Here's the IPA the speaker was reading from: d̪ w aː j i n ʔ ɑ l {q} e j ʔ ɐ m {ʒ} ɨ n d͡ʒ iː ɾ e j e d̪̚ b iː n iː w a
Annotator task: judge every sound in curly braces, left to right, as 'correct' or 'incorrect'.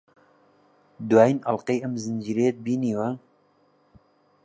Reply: correct, incorrect

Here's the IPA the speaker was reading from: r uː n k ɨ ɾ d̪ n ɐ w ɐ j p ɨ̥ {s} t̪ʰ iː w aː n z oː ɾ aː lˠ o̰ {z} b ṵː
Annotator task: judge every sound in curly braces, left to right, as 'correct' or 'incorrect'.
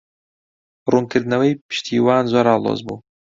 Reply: incorrect, correct

